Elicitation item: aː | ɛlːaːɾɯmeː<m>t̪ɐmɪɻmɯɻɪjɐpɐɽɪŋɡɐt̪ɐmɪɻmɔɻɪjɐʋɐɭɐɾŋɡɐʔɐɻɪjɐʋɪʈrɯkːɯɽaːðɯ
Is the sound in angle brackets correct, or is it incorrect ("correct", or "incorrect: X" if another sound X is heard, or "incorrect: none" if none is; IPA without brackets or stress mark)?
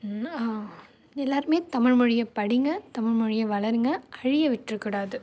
incorrect: none